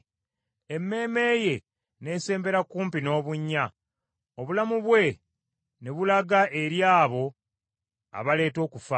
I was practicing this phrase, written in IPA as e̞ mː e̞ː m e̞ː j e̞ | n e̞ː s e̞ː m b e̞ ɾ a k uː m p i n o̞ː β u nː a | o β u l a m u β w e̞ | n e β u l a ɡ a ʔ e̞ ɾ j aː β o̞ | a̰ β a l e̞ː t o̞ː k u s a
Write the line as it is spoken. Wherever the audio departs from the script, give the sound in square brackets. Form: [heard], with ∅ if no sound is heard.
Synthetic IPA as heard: e̞ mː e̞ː m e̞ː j e̞ | n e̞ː s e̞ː m b e̞ ɾ a k uː m p i n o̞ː β u [ɲː] a | o β u l a m u β w e̞ | n e β u l a ɡ a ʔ e̞ ɾ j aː β o̞ | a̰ β a l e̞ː t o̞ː k u [f] a

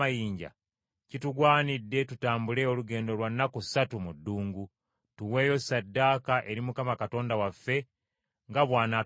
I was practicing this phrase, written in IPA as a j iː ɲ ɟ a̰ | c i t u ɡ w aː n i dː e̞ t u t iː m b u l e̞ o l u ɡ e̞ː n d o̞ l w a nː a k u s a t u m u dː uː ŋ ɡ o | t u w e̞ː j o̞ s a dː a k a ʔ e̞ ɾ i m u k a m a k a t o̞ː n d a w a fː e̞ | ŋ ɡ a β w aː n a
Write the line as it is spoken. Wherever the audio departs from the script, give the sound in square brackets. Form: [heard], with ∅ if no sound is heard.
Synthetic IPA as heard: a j iː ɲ ɟ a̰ | c i t u ɡ w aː n i dː e̞ t u t [aː] m b u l e̞ o l u ɡ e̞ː n d o̞ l w a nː a k u s a t u m u dː uː ŋ ɡ [u] | t u w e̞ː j o̞ s a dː a k a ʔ e̞ ɾ i m u k a m a k a t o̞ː n d a w a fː e̞ | ŋ ɡ a β w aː n a

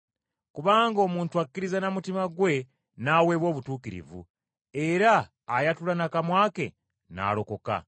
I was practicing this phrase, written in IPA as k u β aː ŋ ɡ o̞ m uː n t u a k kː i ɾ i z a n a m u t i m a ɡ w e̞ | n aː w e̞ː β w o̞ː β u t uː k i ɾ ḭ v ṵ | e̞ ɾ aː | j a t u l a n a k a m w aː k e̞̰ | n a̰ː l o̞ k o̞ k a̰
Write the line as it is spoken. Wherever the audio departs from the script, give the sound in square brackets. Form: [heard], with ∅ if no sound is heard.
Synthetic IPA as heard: k u β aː ŋ ɡ o̞ m uː n t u a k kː i ɾ i z a n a m u t i m a ɡ w e̞ | n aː w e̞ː β w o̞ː β u t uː k i ɾ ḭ v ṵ | e̞ ɾ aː | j a t u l a n a k a m w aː k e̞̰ | n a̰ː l o̞ k o̞ k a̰

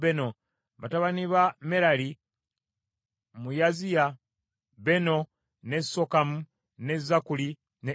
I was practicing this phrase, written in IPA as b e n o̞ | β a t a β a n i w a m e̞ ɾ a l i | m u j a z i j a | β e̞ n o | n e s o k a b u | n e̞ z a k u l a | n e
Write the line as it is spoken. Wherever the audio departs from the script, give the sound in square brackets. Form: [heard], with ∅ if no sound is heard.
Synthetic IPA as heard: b e n o̞ | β a t a β a n i [β] a m e̞ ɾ a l i | m u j a z i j a | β e̞ n o | n e s o k a [m] u | n e̞ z a k u l [i] | n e

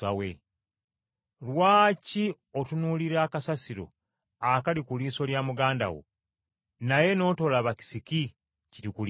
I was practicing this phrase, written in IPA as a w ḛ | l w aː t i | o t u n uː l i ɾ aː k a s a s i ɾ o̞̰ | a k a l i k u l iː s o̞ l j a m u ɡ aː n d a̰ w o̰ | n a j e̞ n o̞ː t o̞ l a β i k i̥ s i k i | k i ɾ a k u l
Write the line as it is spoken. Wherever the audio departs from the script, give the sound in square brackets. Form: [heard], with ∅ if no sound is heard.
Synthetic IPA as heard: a w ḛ | l w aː [c] i | o t u n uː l i ɾ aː k a s a s i ɾ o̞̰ | a k a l i k u l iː s o̞ l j a m u ɡ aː n d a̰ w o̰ | n a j e̞ n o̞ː t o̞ l a β [a] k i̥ s i k i | [c] i ɾ [i] k u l

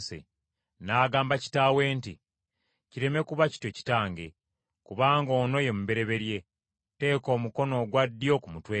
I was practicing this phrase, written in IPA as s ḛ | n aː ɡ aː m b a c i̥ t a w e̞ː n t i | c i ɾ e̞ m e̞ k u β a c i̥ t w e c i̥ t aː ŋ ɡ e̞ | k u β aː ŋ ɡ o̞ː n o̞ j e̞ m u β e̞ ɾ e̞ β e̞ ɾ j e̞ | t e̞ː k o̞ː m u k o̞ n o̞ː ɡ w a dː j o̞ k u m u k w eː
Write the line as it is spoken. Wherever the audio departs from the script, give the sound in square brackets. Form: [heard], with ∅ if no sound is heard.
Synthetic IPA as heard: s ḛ | n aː ɡ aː m b a c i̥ t a w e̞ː n t i | c i ɾ e̞ m e̞ k u β a c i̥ t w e c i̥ t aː ŋ ɡ e̞ | k u β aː ŋ ɡ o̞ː n o̞ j e̞ m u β e̞ ɾ e̞ β e̞ ɾ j e̞ | t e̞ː k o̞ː m u k o̞ n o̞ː ɡ w a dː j o̞ k u m u [t] w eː

